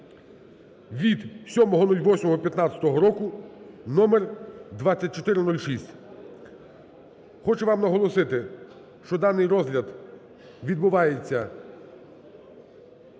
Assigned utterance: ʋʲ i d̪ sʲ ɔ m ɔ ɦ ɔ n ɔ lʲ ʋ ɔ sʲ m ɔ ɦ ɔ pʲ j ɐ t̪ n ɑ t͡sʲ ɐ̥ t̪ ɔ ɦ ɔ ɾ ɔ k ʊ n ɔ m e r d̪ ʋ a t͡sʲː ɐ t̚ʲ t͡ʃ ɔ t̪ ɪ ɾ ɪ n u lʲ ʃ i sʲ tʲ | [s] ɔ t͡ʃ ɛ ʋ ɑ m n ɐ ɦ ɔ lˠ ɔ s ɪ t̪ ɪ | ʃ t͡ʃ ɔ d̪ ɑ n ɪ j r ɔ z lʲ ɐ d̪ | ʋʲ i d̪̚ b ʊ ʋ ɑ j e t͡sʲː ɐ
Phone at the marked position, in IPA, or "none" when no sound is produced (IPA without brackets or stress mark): x